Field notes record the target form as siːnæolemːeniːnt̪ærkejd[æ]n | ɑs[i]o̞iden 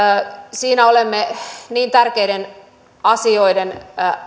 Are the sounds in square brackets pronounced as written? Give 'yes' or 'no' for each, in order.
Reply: no, yes

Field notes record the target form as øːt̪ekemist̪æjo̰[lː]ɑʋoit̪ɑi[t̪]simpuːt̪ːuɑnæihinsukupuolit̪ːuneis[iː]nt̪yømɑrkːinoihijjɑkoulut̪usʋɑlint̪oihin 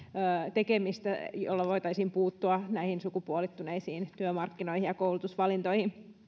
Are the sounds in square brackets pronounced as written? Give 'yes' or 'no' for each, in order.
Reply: yes, no, yes

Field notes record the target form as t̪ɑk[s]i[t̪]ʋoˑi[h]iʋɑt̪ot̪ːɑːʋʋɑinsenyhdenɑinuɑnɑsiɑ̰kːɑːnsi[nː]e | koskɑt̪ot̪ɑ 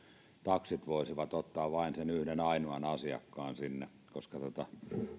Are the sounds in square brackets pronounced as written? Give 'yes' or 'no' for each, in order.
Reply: yes, yes, no, yes

